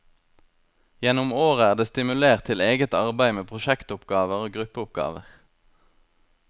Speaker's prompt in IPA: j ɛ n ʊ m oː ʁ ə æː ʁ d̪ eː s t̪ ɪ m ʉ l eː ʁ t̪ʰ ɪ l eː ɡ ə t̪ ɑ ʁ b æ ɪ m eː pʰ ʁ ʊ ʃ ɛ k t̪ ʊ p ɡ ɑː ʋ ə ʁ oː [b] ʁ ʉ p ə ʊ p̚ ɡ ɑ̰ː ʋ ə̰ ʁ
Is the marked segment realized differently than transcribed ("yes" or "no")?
yes